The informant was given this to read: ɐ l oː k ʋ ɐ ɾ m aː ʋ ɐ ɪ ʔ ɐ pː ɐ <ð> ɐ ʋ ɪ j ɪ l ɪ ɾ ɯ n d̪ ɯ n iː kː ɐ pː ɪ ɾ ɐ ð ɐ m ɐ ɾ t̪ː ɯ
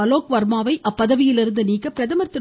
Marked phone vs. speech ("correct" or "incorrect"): correct